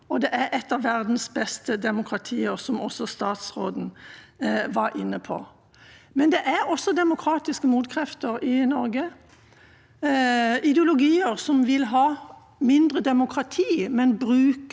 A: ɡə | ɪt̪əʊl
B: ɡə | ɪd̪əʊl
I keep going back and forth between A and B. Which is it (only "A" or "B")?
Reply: B